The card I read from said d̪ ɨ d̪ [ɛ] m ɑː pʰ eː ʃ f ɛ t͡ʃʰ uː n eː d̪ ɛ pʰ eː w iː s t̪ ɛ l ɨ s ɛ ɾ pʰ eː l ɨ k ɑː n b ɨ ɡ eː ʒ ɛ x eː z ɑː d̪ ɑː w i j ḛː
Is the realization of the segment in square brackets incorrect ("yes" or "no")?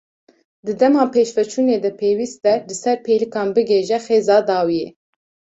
no